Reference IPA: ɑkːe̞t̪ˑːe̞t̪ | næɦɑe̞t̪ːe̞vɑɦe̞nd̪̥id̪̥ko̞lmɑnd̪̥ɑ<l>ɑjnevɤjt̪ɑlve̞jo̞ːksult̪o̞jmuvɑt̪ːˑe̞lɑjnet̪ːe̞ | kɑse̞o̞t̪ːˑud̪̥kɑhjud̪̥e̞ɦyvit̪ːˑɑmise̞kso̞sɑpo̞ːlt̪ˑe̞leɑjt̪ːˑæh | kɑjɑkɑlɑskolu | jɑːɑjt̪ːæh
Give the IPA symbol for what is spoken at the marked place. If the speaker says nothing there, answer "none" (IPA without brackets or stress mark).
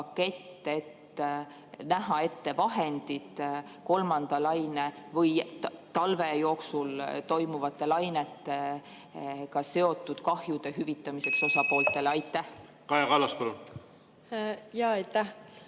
l